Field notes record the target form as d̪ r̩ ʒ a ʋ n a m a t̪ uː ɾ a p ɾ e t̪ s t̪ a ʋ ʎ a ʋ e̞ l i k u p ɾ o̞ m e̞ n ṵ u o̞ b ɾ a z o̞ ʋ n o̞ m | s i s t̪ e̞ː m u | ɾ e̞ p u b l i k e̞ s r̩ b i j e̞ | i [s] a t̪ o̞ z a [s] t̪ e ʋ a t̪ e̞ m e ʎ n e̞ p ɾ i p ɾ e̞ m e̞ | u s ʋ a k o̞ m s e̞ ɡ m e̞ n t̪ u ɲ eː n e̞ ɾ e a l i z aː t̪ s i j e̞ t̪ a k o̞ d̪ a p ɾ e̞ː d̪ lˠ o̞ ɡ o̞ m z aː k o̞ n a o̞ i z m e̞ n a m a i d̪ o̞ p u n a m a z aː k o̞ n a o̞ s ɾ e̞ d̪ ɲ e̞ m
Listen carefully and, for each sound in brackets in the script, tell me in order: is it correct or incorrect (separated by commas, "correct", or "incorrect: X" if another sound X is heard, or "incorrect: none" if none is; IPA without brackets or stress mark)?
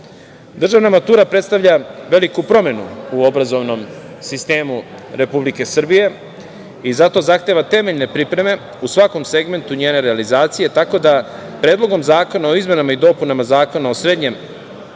incorrect: z, incorrect: x